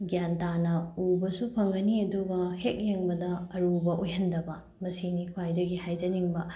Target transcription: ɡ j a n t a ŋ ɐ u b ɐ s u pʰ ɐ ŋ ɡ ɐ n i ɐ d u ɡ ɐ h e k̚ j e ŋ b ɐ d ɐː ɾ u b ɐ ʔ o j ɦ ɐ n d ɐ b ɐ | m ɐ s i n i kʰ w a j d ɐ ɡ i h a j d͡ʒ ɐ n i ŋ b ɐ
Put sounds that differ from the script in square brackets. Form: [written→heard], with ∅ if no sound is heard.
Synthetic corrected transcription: ɡ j a n t a [ŋ→n] ɐ u b ɐ s u pʰ ɐ ŋ ɡ ɐ n i ɐ d u ɡ ɐ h e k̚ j e ŋ b ɐ d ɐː ɾ u b ɐ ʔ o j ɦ ɐ n d ɐ b ɐ | m ɐ s i n i kʰ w a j d ɐ ɡ i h a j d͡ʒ ɐ n i ŋ b ɐ